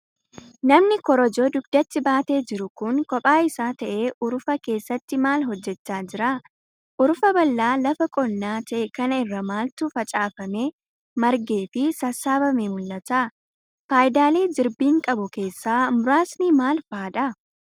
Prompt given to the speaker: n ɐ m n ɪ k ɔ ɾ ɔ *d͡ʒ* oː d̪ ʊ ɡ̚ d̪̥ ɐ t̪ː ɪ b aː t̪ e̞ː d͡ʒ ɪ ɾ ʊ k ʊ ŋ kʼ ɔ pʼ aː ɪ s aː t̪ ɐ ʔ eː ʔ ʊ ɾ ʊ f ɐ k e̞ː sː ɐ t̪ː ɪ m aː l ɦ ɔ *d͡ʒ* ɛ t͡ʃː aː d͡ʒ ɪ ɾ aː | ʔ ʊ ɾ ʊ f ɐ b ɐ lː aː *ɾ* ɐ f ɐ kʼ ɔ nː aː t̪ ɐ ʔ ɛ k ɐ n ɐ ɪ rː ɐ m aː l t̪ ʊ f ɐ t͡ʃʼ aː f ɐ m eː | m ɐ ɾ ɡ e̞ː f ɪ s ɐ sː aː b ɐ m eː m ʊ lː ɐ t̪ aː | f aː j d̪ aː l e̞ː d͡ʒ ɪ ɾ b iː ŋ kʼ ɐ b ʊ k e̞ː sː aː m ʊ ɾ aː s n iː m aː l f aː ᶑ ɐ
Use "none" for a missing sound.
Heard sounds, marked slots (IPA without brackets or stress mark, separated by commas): d͡ʒ, d͡ʒː, l